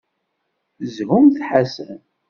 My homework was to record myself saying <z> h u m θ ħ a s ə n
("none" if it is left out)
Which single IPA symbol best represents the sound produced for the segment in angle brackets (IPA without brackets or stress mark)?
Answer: z